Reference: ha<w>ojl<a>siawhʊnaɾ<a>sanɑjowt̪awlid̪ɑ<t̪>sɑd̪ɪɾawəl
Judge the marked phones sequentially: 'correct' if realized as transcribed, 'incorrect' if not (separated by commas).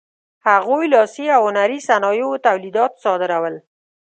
incorrect, incorrect, incorrect, correct